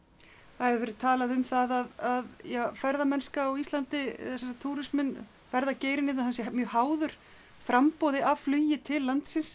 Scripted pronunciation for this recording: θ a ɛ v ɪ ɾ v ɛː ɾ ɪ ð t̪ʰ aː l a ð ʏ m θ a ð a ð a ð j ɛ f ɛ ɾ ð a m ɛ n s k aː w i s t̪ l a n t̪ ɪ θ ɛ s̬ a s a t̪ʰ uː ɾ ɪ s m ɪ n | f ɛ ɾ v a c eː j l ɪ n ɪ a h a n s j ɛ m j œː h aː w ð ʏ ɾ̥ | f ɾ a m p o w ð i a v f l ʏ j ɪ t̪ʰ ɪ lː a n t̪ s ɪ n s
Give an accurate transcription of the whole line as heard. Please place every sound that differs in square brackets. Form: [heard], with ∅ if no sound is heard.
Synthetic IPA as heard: θ a ɛ v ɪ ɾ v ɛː ɾ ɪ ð t̪ʰ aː l a ð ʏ m θ a ð a ð a ð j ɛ f ɛ ɾ ð a m ɛ n s k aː w i s t̪ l a n t̪ ɪ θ ɛ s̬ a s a t̪ʰ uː ɾ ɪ s m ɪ n | f ɛ ɾ [ð] a c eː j [ɾ] ɪ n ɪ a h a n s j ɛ m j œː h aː w ð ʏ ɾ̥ | f ɾ a m p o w ð [ɪ] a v f l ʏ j ɪ t̪ʰ ɪ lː a n t̪ s ɪ n s

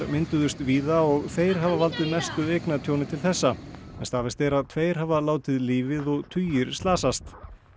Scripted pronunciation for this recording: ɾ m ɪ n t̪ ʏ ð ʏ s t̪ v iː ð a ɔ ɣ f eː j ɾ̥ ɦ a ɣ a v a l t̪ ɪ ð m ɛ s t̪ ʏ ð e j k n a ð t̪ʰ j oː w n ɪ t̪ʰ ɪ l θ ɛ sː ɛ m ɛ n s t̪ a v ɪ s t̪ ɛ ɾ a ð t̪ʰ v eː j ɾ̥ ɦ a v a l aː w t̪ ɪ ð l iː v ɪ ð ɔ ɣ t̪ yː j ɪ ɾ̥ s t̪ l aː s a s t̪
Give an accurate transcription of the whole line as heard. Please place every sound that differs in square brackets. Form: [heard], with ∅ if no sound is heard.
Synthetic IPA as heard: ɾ m ɪ n t̪ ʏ ð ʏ s t̪ v iː ð a ɔ ɣ [θ] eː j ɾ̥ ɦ a [v] a v a l t̪ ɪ ð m ɛ s t̪ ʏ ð e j k n a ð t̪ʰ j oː w n ɪ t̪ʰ ɪ l θ ɛ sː [a] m ɛ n s t̪ a v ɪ s t̪ ɛ ɾ a ð t̪ʰ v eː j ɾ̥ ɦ a v a l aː w t̪ ɪ ð l iː v ɪ ð ɔ ɣ [t̪ʰ] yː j ɪ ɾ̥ s t̪ l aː s a s t̪

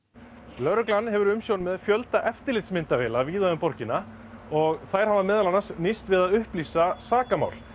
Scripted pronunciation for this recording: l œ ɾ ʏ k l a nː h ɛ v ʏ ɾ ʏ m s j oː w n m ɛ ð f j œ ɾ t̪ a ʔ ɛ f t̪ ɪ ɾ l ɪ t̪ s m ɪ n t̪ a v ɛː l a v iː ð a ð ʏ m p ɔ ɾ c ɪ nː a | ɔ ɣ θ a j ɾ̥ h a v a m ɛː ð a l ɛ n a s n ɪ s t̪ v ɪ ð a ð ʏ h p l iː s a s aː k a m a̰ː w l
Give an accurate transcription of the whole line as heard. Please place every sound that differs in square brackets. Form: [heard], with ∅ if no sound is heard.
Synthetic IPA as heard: l œ ɾ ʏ k l a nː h ɛ v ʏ ɾ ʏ m s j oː w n m ɛ ð f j œ [l] t̪ a ʔ ɛ f t̪ ɪ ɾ l ɪ t̪ s m ɪ n t̪ a v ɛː l a v iː ð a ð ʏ m p ɔ ɾ c ɪ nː a | ɔ ɣ θ a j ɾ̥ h a v a m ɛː ð a l [a] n a s n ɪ s t̪ v ɪ ð a ð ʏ h p l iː s a s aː k a m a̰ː w l

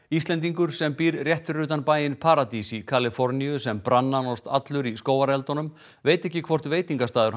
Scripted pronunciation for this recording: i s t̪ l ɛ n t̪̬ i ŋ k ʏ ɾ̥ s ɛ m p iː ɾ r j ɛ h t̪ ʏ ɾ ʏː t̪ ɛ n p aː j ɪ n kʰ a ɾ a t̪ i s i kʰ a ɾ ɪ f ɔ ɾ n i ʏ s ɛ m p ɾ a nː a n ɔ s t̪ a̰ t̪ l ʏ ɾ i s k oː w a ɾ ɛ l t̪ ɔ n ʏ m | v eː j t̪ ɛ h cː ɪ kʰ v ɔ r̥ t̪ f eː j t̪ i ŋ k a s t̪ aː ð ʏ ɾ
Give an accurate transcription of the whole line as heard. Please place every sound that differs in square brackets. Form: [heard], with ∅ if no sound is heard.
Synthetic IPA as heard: i s t̪ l ɛ n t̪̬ i ŋ k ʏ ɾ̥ s ɛ m p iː ɾ r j ɛ h t̪ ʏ ɾ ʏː t̪ [a] n p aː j ɪ n [pʰ] a ɾ a t̪ i s i kʰ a [l] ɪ f ɔ ɾ n i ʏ s ɛ m p ɾ a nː a n ɔ s t̪ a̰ t̪ l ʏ ɾ i s k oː w a ɾ ɛ l t̪ ɔ n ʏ m | v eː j t̪ ɛ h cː ɪ kʰ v ɔ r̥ t̪ [v] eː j t̪ i ŋ k a s t̪ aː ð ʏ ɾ

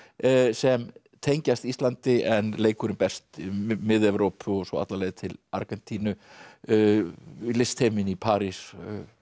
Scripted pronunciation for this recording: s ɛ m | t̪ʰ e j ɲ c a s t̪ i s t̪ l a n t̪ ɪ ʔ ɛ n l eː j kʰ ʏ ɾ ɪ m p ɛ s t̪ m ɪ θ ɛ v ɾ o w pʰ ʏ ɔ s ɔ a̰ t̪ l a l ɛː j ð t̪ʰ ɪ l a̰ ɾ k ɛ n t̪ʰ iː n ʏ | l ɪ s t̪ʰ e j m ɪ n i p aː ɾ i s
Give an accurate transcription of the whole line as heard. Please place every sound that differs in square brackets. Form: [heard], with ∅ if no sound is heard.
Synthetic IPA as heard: s ɛ m | t̪ʰ e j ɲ c a s t̪ i s t̪ l a n t̪ ɪ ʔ ɛ n l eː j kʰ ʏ ɾ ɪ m p ɛ s t̪ m ɪ [ð] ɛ v ɾ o w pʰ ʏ ɔ s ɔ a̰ t̪ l a l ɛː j ð t̪ʰ ɪ l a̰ ɾ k ɛ n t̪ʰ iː n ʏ | l ɪ s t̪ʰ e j m ɪ n i [pʰ] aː ɾ i s

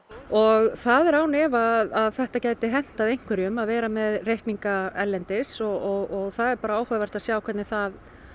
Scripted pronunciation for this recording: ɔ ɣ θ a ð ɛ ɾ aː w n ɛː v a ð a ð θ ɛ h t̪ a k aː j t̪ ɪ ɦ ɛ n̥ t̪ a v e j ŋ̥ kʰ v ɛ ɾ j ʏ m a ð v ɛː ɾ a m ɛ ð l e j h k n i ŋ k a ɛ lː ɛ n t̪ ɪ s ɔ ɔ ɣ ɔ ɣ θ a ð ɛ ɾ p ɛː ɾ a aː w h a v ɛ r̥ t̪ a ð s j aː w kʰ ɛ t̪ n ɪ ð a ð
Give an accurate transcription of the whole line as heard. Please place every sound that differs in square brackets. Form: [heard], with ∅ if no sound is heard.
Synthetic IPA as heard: ɔ ɣ θ a ð ɛ ɾ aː w n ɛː v a ð a ð θ ɛ h t̪ a [c] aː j t̪ ɪ ɦ ɛ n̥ t̪ a [ð] e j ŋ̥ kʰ v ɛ ɾ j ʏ m a ð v ɛː ɾ a m ɛ ð [r] e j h k n i ŋ k a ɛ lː ɛ n t̪ ɪ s ɔ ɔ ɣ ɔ ɣ θ a ð ɛ ɾ p [aː] ɾ a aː w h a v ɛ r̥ t̪ a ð s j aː w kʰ ɛ t̪ n ɪ [θ] a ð

